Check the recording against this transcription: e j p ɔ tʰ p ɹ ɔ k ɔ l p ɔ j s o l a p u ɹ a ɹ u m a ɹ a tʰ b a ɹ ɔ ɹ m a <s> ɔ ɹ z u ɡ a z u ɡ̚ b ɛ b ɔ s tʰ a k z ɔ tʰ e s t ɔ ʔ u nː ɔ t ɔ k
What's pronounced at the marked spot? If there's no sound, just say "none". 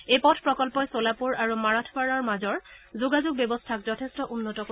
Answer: z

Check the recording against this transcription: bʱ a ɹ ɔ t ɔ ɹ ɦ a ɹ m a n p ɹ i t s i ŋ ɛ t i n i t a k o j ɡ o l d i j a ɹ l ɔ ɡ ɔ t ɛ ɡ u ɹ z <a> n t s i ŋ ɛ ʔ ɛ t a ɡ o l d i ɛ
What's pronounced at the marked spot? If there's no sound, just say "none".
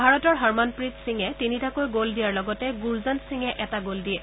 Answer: a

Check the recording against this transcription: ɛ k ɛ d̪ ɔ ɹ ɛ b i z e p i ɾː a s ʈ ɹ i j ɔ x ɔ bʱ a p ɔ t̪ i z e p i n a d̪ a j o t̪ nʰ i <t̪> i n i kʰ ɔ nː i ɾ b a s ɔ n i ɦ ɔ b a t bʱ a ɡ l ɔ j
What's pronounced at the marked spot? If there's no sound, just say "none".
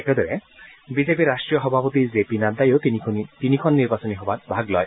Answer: t̪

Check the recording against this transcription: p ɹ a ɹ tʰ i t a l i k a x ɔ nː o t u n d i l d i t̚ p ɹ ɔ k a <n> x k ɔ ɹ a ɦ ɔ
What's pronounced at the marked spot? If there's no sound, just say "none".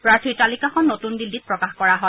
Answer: none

